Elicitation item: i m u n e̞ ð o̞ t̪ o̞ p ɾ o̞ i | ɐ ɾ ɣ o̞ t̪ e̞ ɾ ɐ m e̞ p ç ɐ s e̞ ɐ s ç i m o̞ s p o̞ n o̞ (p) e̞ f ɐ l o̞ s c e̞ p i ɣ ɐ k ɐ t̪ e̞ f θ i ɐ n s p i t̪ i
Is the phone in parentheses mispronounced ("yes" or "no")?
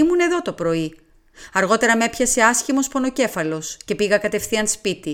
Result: yes